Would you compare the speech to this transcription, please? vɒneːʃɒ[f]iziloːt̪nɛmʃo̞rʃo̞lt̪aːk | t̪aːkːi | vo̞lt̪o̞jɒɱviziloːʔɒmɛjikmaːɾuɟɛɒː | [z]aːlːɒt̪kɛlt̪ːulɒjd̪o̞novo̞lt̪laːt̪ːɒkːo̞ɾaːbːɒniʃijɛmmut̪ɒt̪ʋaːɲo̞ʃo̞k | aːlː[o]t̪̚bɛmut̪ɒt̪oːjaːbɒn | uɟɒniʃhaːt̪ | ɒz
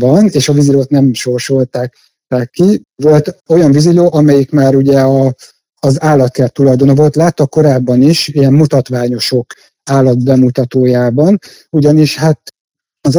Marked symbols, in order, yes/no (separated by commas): no, yes, no